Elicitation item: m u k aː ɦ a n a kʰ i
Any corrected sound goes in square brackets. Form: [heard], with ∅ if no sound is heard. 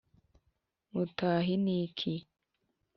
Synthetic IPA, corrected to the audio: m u [t] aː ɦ [i] n [i] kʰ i